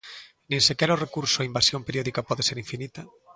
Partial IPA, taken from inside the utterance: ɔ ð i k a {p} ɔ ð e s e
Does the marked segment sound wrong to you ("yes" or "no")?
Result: no